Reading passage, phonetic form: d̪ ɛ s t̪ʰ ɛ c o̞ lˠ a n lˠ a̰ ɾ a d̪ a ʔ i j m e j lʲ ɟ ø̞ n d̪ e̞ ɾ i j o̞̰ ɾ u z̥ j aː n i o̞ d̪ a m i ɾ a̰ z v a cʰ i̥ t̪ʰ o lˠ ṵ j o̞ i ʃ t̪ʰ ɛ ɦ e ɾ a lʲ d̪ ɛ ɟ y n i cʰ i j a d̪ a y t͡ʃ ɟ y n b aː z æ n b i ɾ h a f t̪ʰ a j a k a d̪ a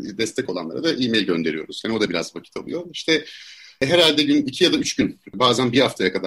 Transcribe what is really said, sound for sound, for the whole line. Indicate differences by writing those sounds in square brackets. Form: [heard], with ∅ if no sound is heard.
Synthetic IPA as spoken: d̪ ɛ s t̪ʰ ɛ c o̞ lˠ a n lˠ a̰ ɾ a d̪ a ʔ i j m e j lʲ ɟ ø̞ n d̪ e̞ ɾ i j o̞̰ ɾ u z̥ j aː n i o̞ d̪ a [b] i ɾ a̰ z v a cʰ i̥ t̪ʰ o lˠ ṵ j o̞ i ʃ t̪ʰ ɛ ɦ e ɾ a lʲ d̪ ɛ ɟ y n i cʰ i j a d̪ a y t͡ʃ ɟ y n b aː z æ n b i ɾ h a f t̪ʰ a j a k a d̪ a